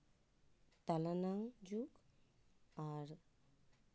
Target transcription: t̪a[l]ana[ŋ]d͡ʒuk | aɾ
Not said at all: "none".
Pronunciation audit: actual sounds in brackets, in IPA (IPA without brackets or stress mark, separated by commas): l, ŋ